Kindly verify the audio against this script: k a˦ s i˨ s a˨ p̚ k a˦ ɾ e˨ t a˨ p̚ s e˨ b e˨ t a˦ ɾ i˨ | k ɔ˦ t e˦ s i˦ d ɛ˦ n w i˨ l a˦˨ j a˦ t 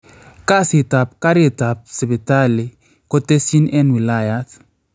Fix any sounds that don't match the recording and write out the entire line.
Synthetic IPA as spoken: k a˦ s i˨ t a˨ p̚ k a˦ ɾ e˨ t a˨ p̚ s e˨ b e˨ t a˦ l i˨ | k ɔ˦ t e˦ s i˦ n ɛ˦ n w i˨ l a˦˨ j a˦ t